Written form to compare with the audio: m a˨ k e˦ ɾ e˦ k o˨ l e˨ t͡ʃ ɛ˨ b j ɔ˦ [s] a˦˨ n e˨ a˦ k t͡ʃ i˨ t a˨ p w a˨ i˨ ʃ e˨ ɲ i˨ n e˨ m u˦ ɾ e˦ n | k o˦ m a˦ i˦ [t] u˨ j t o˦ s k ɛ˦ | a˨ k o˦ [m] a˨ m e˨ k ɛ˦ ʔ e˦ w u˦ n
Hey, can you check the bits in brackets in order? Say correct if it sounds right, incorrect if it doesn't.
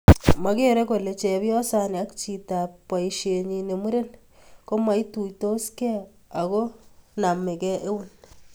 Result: correct, correct, incorrect: n

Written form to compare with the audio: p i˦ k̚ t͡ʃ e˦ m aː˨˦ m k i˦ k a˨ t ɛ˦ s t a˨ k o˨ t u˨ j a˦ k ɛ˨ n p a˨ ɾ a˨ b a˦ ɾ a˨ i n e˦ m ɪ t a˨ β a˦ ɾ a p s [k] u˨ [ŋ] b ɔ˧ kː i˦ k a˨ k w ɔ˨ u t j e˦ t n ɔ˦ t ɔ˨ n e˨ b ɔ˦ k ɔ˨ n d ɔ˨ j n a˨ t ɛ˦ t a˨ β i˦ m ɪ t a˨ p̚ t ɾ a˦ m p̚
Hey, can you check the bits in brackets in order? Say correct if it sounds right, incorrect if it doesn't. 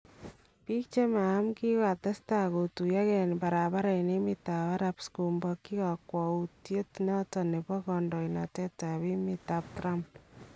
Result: correct, incorrect: m

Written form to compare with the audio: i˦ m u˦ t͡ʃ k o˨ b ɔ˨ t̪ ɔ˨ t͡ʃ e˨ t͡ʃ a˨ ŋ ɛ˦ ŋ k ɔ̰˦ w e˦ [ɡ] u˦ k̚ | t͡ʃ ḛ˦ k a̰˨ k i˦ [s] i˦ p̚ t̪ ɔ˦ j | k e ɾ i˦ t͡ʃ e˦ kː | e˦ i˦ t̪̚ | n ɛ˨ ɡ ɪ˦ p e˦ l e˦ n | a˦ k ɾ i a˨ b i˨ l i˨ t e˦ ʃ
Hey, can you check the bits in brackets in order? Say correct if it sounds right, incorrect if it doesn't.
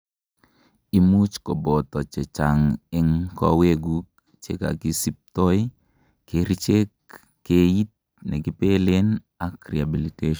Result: correct, correct

